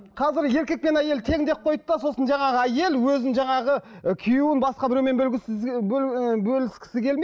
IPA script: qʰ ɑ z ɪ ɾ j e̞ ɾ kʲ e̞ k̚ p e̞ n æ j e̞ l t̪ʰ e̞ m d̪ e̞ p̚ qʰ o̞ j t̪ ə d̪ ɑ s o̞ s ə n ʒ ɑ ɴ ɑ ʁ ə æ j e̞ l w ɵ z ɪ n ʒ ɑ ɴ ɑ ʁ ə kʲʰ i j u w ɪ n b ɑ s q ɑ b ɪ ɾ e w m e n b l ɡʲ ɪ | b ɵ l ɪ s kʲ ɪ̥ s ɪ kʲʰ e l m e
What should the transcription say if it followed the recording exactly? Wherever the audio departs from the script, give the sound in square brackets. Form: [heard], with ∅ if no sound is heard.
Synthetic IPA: qʰ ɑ z ɪ ɾ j e̞ ɾ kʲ e̞ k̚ p e̞ n æ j e̞ l t̪ʰ e̞ [ŋ] d̪ e̞ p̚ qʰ o̞ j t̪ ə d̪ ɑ s o̞ s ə n ʒ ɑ ɴ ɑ ʁ ə æ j e̞ l w ɵ z ɪ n ʒ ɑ ɴ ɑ ʁ ə kʲʰ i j u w ɪ n b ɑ s q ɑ b ɪ ɾ e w m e n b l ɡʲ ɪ | b ɵ l ɪ s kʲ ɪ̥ s ɪ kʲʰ e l m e